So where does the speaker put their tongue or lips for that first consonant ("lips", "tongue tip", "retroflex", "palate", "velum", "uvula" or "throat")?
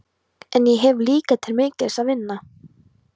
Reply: tongue tip